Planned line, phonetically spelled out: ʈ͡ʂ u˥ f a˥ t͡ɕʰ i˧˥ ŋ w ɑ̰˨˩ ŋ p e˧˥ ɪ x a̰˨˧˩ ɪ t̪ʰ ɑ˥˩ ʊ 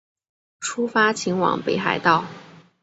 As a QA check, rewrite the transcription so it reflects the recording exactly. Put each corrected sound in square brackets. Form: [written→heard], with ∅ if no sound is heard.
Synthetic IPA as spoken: [ʈ͡ʂ→ʈ͡ʂʰ] u˥ f a˥ t͡ɕʰ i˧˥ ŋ w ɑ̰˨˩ ŋ p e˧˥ ɪ x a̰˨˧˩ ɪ [t̪ʰ→t̪] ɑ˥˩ ʊ

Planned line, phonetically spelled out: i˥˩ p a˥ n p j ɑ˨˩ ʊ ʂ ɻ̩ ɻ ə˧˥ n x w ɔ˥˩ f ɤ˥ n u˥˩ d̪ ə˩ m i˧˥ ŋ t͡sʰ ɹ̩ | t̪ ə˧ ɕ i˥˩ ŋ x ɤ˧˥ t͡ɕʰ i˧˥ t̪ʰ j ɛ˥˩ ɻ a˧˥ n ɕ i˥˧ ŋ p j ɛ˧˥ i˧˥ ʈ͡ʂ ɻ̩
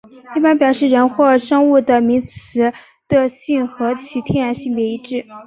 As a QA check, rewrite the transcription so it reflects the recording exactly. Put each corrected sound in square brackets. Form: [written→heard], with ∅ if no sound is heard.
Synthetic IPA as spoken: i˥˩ p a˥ n p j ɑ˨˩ ʊ ʂ ɻ̩ ɻ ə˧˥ n x w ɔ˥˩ [f→ʂ] ɤ˥ [n→ŋ] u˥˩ d̪ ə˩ m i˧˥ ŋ t͡sʰ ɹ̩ | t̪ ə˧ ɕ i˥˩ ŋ x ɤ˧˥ t͡ɕʰ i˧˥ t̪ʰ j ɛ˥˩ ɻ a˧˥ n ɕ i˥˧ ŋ p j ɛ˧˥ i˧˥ ʈ͡ʂ ɻ̩

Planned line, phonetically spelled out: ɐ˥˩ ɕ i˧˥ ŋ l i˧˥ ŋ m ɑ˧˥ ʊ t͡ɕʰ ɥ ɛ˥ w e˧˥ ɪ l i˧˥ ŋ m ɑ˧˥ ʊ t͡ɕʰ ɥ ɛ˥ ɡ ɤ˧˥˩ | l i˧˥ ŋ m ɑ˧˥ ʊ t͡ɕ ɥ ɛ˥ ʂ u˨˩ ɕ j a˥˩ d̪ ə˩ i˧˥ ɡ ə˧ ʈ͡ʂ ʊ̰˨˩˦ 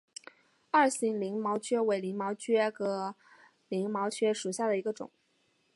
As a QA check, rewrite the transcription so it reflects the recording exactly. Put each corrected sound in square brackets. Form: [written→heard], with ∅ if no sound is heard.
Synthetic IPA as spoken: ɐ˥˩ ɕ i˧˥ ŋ l i˧˥ ŋ m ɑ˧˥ ʊ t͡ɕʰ ɥ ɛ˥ w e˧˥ ɪ l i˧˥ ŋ m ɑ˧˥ ʊ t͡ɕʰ ɥ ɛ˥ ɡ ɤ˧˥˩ | l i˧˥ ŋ m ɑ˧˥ ʊ [t͡ɕ→t͡ɕʰ] ɥ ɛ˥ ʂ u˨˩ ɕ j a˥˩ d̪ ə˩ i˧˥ ɡ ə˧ ʈ͡ʂ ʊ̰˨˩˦

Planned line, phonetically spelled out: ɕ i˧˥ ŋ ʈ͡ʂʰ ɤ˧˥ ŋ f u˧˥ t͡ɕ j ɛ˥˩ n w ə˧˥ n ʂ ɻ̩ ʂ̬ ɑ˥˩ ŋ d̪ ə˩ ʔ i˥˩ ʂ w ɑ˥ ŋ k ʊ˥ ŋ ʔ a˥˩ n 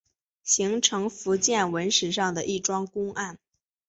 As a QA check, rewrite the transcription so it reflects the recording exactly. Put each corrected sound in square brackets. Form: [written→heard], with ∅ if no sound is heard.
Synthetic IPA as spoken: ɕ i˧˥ ŋ ʈ͡ʂʰ ɤ˧˥ ŋ f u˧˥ t͡ɕ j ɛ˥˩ n w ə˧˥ n ʂ ɻ̩ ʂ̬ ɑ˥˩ ŋ d̪ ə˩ ʔ i˥˩ [ʂ→ʈ͡ʂ] w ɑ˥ ŋ k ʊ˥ ŋ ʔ a˥˩ n

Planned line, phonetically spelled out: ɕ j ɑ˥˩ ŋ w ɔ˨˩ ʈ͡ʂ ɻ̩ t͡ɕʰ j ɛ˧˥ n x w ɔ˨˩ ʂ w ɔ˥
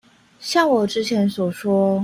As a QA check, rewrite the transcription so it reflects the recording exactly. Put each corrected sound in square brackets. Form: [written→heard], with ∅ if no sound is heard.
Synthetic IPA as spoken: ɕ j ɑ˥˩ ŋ w ɔ˨˩ ʈ͡ʂ ɻ̩ t͡ɕʰ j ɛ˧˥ n [x→s] w ɔ˨˩ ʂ w ɔ˥

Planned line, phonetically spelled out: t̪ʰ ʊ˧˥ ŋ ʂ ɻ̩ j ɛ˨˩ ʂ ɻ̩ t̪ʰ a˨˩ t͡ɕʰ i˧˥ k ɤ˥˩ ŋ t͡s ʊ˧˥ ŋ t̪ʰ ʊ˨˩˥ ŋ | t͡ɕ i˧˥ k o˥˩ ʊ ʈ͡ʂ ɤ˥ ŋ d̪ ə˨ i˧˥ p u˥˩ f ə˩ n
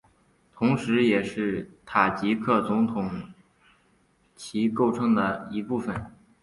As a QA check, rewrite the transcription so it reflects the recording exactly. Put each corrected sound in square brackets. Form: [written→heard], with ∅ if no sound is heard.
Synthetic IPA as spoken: t̪ʰ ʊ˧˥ ŋ ʂ ɻ̩ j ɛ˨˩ ʂ ɻ̩ t̪ʰ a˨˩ [t͡ɕʰ→t͡ɕ] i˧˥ [k→kʰ] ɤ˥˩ [ŋ→∅] t͡s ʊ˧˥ ŋ t̪ʰ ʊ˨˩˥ ŋ | [t͡ɕ→t͡ɕʰ] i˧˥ k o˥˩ ʊ [ʈ͡ʂ→ʈ͡ʂʰ] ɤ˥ ŋ d̪ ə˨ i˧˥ p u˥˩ f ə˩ n

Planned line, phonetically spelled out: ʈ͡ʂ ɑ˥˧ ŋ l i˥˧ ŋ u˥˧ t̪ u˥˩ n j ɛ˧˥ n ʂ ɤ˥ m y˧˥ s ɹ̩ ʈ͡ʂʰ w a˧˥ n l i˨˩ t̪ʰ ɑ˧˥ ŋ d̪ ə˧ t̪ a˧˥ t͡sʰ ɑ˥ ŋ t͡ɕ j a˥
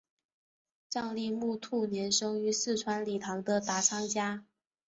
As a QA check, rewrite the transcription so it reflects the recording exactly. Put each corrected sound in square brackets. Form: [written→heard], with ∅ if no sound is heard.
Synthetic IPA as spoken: ʈ͡ʂ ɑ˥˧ ŋ l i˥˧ [ŋ→m] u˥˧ [t̪→t̪ʰ] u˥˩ n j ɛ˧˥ n ʂ ɤ˥ [m→ŋ] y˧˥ s ɹ̩ ʈ͡ʂʰ w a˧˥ n l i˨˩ t̪ʰ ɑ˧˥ ŋ d̪ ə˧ t̪ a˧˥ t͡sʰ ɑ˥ ŋ t͡ɕ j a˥

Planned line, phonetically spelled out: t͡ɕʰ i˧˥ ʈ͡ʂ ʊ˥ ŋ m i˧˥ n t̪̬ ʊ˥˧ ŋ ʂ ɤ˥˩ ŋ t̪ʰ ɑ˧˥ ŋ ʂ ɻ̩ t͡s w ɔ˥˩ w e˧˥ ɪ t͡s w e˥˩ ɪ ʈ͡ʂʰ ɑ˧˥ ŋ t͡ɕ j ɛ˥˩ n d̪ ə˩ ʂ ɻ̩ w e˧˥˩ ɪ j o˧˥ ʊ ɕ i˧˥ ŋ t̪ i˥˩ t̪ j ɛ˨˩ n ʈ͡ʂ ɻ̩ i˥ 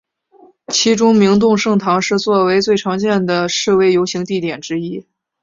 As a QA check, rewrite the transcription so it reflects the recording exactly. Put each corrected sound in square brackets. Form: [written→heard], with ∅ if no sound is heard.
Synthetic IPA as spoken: t͡ɕʰ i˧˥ ʈ͡ʂ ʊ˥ ŋ m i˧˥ [n→ŋ] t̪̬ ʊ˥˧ ŋ ʂ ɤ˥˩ ŋ t̪ʰ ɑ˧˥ ŋ ʂ ɻ̩ t͡s w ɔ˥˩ w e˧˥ ɪ t͡s w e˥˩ ɪ ʈ͡ʂʰ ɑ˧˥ ŋ t͡ɕ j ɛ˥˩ n d̪ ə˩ ʂ ɻ̩ w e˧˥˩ ɪ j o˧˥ ʊ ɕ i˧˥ ŋ t̪ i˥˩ t̪ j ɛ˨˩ n ʈ͡ʂ ɻ̩ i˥

